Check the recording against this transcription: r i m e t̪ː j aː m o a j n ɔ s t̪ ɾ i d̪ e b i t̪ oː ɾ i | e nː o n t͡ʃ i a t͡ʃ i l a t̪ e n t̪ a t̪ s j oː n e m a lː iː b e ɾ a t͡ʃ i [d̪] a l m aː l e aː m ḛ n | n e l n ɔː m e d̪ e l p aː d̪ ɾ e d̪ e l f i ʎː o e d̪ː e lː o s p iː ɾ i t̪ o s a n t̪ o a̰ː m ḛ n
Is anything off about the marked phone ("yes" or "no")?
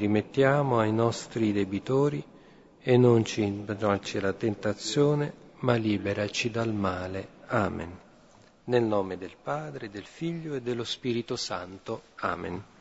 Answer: no